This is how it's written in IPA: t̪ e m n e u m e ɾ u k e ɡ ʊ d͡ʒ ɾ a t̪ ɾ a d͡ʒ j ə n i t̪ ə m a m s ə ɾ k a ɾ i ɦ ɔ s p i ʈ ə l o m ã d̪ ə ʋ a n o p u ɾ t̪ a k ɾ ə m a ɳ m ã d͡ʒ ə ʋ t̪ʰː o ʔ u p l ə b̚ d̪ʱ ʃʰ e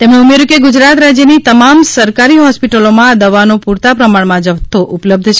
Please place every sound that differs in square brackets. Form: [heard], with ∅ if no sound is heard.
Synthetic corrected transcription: t̪ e m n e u m e ɾ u k e ɡ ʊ d͡ʒ ɾ a t̪ ɾ a d͡ʒ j ə n i t̪ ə m a m s ə ɾ k a ɾ i ɦ ɔ s p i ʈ ə l o m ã d̪ ə ʋ a n o p u ɾ t̪ a [p] ɾ ə m a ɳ m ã d͡ʒ ə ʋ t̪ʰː o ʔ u p l ə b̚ d̪ʱ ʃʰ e